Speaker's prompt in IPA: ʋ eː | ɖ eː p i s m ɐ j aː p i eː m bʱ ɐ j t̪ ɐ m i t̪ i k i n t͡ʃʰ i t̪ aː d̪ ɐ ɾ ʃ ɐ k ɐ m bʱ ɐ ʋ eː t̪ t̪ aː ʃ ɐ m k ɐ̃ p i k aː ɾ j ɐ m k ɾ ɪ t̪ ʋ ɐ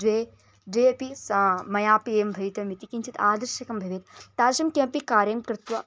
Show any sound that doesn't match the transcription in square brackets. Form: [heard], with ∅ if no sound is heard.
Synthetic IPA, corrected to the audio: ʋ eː | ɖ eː p i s m ɐ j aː p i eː m bʱ ɐ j t̪ ɐ m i t̪ i k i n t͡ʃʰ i t̪ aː d̪ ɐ ɾ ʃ ɐ k ɐ m bʱ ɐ ʋ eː t̪ t̪ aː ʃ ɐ m k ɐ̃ p i k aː ɾ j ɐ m k ɾ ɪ t̪ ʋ ɐ

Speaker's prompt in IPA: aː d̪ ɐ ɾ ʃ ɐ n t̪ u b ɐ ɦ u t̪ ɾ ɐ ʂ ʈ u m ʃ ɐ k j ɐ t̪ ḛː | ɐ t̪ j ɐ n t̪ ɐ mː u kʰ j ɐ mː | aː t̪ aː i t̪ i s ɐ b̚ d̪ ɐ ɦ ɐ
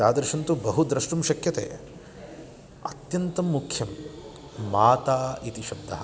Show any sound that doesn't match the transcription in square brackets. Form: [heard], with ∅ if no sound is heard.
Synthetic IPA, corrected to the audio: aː d̪ ɐ ɾ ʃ ɐ n t̪ u b ɐ ɦ u [d̪] ɾ ɐ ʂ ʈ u m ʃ ɐ k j ɐ t̪ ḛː | ɐ t̪ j ɐ n t̪ ɐ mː u kʰ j ɐ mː | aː t̪ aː i t̪ i [ʃ] ɐ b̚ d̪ ɐ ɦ ɐ

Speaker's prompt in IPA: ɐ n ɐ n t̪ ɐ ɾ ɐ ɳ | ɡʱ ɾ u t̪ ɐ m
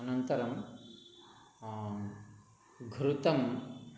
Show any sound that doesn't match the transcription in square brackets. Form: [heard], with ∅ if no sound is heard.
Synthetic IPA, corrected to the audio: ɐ n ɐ n t̪ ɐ ɾ ɐ [m] | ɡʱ ɾ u t̪ ɐ m

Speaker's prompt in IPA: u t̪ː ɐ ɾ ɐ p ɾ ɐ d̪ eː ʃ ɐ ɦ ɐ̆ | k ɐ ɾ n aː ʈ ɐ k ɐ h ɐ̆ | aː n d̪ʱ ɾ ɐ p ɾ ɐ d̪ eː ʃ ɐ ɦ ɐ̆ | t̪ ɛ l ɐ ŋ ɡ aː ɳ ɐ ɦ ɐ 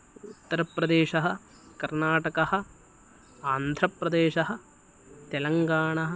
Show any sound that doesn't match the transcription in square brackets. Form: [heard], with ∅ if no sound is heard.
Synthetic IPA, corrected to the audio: u t̪ː ɐ ɾ ɐ p ɾ ɐ d̪ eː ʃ ɐ ɦ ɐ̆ | k ɐ ɾ n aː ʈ ɐ k ɐ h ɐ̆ | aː n d̪ʱ ɾ ɐ p ɾ ɐ d̪ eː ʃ ɐ ɦ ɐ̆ | t̪ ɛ l ɐ ŋ ɡ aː ɳ ɐ ɦ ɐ

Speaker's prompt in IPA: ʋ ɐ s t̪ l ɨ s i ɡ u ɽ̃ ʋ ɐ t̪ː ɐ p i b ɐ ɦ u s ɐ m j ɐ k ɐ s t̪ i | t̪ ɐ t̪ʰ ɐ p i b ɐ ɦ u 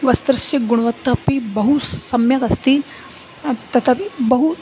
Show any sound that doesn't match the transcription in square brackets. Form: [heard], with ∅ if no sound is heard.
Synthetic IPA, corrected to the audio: ʋ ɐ s t̪ [ɾ] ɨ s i ɡ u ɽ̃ ʋ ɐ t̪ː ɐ p i b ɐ ɦ u s ɐ m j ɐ k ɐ s t̪ i | t̪ ɐ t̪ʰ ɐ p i b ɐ ɦ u

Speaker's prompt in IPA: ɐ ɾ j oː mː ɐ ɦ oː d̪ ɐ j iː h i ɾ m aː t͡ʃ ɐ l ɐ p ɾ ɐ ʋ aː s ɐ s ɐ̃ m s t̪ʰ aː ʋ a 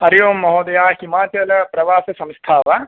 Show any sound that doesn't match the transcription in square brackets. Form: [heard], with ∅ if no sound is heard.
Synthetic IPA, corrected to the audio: ɐ ɾ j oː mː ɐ ɦ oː d̪ ɐ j [aː] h i [∅] m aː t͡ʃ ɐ l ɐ p ɾ ɐ ʋ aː s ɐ s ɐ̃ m s t̪ʰ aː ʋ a

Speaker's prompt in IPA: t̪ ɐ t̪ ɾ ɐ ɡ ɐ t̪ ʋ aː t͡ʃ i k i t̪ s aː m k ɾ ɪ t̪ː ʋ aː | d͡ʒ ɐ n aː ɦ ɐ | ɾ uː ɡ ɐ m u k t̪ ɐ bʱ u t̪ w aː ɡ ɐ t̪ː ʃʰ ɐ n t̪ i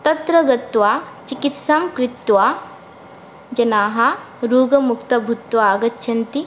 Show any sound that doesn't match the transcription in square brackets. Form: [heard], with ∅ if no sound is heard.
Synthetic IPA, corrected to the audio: t̪ ɐ t̪ ɾ ɐ ɡ ɐ t̪ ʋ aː t͡ʃ i k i t̪ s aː m k ɾ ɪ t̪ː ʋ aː | d͡ʒ ɐ n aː ɦ ɐ | ɾ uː ɡ ɐ m u k t̪ ɐ bʱ u t̪ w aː ɡ ɐ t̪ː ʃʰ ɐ n t̪ i

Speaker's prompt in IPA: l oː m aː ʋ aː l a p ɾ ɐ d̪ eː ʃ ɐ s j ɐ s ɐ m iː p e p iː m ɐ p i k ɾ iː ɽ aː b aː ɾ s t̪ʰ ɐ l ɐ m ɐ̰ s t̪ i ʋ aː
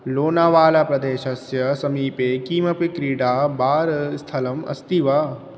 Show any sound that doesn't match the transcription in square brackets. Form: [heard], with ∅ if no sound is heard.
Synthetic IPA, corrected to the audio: l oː [n] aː ʋ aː l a p ɾ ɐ d̪ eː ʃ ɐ s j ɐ s ɐ m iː p e [k] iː m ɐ p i k ɾ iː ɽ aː b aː ɾ s t̪ʰ ɐ l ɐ m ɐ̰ s t̪ i ʋ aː

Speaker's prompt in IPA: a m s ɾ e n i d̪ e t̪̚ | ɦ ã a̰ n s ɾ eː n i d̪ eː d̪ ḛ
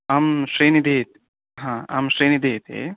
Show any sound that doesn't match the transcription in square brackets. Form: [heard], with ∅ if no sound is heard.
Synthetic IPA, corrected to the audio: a m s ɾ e n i d̪ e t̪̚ | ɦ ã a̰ [m] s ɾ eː n i d̪ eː [t̪] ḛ

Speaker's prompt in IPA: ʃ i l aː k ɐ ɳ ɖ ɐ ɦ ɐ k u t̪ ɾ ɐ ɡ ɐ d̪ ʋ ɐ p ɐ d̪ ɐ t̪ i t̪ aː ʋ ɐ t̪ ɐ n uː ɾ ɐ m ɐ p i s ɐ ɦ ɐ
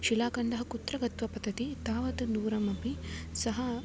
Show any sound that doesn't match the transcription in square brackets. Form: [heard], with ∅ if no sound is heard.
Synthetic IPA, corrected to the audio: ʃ i l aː k ɐ ɳ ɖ ɐ ɦ ɐ k u t̪ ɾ ɐ ɡ ɐ [t̪] ʋ ɐ p ɐ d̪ ɐ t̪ i t̪ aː ʋ ɐ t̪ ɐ n uː ɾ ɐ m ɐ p i s ɐ ɦ ɐ

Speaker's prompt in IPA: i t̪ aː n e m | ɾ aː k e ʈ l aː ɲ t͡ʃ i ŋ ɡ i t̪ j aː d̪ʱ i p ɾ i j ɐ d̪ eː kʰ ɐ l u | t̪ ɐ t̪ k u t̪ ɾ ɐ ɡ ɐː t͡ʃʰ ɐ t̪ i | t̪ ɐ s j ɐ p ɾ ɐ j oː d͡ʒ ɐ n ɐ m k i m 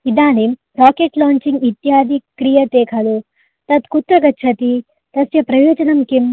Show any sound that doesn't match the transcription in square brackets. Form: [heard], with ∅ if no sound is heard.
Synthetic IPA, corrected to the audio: i [d̪] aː n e m | ɾ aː k e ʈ l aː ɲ t͡ʃ i ŋ ɡ i t̪ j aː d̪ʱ i [k] ɾ i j ɐ [t̪] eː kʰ ɐ l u | t̪ ɐ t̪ k u t̪ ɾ ɐ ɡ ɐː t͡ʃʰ ɐ t̪ i | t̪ ɐ s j ɐ p ɾ ɐ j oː d͡ʒ ɐ n ɐ m k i m

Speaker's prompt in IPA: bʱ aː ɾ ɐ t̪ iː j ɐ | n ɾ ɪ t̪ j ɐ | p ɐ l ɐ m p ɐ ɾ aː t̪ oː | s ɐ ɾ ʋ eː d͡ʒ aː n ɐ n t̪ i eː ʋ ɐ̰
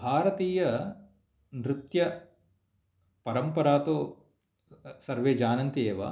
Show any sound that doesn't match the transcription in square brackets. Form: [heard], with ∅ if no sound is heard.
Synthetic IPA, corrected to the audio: bʱ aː ɾ ɐ t̪ iː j ɐ | n ɾ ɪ t̪ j ɐ | p ɐ [ɾ] ɐ m p ɐ ɾ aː t̪ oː | s ɐ ɾ ʋ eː d͡ʒ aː n ɐ n t̪ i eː ʋ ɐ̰

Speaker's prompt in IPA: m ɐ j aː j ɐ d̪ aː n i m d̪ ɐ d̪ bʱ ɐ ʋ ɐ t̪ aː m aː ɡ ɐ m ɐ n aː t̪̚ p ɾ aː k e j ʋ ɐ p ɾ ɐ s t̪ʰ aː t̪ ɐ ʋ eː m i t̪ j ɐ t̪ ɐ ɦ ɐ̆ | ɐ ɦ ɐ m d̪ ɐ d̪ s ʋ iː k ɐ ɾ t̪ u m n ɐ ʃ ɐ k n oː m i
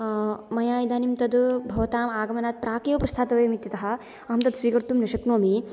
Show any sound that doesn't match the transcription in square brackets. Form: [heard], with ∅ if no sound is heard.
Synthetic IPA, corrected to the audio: m ɐ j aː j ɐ d̪ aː n i m [t̪] ɐ d̪ bʱ ɐ ʋ ɐ t̪ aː m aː ɡ ɐ m ɐ n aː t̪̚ p ɾ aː k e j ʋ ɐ p ɾ ɐ s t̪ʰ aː t̪ ɐ ʋ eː m i t̪ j ɐ t̪ ɐ ɦ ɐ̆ | ɐ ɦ ɐ m [t̪] ɐ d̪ s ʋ iː k ɐ ɾ t̪ u m n ɐ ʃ ɐ k n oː m i

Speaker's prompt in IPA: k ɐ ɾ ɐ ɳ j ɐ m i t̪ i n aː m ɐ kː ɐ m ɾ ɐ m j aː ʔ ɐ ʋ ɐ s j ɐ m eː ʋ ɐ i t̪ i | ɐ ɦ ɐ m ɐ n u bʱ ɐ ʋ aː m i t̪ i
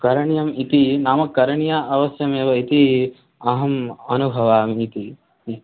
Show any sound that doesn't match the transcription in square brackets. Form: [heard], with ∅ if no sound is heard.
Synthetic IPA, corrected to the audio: k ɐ ɾ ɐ ɳ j ɐ m i t̪ i n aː m ɐ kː ɐ [∅] ɾ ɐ [ɳ] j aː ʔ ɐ ʋ ɐ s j ɐ m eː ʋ ɐ i t̪ i | ɐ ɦ ɐ m ɐ n u bʱ ɐ ʋ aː m i t̪ i

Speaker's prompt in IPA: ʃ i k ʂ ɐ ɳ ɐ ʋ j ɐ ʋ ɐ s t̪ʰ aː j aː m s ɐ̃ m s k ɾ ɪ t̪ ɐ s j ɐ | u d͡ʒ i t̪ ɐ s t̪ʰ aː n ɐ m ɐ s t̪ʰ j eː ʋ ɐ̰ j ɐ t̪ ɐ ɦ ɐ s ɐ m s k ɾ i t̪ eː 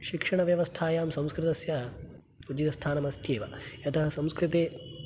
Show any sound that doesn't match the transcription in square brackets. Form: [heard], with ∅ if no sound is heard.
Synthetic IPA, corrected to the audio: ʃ i k ʂ ɐ ɳ ɐ ʋ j ɐ ʋ ɐ s t̪ʰ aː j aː m s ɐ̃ m s k ɾ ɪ t̪ ɐ s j ɐ | u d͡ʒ i t̪ ɐ s t̪ʰ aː n ɐ m ɐ s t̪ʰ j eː ʋ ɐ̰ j ɐ t̪ ɐ ɦ ɐ s ɐ m s k ɾ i t̪ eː

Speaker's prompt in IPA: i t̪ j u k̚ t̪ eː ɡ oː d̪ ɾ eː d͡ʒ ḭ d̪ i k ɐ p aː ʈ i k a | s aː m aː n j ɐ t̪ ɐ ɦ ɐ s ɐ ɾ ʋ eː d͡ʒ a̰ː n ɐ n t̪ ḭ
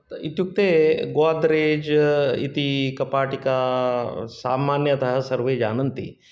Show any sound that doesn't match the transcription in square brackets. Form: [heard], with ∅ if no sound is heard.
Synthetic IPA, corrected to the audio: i t̪ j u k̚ t̪ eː ɡ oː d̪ ɾ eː d͡ʒ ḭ [t̪] i k ɐ p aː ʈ i k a | s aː m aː n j ɐ t̪ ɐ ɦ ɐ s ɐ ɾ ʋ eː d͡ʒ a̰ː n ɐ n t̪ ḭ

